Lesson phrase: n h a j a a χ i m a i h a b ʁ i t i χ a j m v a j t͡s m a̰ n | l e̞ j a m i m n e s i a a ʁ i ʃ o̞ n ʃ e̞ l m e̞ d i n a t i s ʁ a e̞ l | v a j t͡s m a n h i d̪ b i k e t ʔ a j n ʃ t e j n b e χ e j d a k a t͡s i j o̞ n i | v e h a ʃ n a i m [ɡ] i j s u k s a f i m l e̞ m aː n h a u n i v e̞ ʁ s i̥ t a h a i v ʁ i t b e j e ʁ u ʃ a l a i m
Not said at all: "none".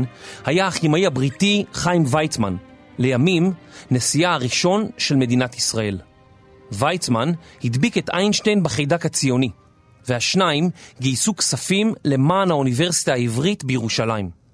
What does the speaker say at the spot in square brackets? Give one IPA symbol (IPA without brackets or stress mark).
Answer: ɡ